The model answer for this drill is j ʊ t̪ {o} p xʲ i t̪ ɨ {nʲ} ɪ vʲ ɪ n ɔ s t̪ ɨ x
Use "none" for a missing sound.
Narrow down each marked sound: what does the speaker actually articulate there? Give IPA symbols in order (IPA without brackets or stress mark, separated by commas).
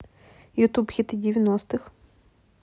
u, dʲ